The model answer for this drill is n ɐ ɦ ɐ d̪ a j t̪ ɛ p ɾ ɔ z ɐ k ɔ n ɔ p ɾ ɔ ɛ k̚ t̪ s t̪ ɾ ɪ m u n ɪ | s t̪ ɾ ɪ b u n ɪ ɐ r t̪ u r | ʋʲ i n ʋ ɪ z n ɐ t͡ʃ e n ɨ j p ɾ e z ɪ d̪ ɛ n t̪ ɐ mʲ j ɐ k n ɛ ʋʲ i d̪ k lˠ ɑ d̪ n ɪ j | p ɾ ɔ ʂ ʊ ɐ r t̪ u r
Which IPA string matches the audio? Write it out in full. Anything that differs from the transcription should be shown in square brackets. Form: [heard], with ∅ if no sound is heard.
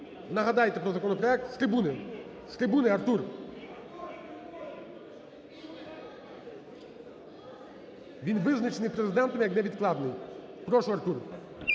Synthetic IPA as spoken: n ɐ ɦ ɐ d̪ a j t̪ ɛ p ɾ ɔ z ɐ k ɔ n ɔ p ɾ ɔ ɛ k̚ t̪ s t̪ ɾ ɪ [b] u n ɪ | s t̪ ɾ ɪ b u n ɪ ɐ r t̪ u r | ʋʲ i n ʋ ɪ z n ɐ t͡ʃ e n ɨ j p ɾ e z ɪ d̪ ɛ n t̪ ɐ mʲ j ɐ k n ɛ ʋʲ i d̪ k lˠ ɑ d̪ n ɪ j | p ɾ ɔ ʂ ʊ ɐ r t̪ u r

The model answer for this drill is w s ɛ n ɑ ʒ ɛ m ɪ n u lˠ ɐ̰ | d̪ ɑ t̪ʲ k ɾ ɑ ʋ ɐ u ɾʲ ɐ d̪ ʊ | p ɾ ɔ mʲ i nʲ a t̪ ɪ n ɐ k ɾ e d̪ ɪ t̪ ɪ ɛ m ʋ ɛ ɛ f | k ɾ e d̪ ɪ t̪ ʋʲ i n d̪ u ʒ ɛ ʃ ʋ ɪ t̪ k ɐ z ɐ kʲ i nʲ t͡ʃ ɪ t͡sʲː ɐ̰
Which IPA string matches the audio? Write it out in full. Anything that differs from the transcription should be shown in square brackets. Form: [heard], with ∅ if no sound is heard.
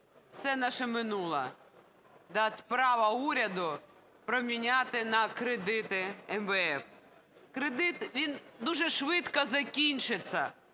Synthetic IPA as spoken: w s ɛ n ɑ [ʃ] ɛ m ɪ n u lˠ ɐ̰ | d̪ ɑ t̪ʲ [p] ɾ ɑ ʋ ɐ u ɾʲ ɐ d̪ ʊ | p ɾ ɔ mʲ i nʲ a t̪ ɪ n ɐ k ɾ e d̪ ɪ t̪ ɪ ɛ m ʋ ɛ ɛ f | k ɾ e d̪ ɪ t̪ ʋʲ i n d̪ u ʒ ɛ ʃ ʋ ɪ t̪ k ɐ z ɐ kʲ i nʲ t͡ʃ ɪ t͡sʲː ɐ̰

